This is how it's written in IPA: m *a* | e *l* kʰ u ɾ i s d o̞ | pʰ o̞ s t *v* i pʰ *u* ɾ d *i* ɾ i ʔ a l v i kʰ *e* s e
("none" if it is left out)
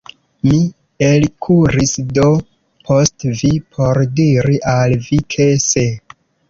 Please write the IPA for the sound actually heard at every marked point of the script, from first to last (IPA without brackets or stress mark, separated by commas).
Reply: i, l, v, o, i, e